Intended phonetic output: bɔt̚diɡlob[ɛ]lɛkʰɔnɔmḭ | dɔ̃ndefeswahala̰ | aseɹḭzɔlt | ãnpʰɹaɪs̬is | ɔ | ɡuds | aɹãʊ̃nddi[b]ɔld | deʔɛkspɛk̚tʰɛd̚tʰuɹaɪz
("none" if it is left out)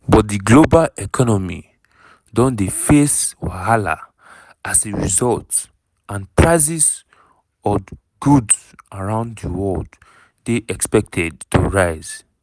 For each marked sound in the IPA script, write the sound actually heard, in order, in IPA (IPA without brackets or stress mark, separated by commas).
a, w